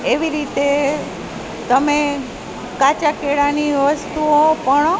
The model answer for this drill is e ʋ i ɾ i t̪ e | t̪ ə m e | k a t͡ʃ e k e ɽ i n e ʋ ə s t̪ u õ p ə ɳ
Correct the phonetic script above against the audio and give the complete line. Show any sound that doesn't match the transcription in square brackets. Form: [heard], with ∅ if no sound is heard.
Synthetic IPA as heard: e ʋ i ɾ i t̪ e | t̪ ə m e | k a t͡ʃ [a] k e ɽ [a] n [i] ʋ ə s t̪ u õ p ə ɳ